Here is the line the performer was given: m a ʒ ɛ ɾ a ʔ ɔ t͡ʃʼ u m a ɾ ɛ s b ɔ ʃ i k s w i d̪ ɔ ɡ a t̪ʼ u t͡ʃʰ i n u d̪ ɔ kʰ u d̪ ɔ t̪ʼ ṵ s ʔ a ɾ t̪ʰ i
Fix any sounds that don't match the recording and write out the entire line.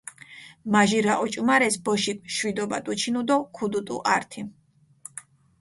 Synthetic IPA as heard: m a ʒ i ɾ a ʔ ɔ t͡ʃʼ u m a ɾ ɛ s b ɔ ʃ i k ʃ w i d̪ ɔ b a t̪ʼ u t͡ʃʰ i n u d̪ ɔ kʰ u d̪ u t̪ʼ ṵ ʔ a ɾ t̪ʰ i